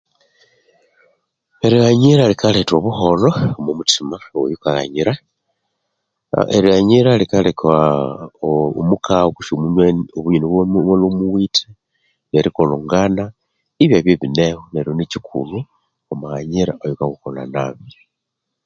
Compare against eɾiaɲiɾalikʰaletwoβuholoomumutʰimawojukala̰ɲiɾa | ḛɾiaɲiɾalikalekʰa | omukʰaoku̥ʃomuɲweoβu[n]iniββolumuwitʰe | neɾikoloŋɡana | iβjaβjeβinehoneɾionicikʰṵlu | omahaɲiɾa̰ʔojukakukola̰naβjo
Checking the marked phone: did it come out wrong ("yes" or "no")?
yes